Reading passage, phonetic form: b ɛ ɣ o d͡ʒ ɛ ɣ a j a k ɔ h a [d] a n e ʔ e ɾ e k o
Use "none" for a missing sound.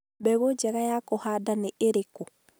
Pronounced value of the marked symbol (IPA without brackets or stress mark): d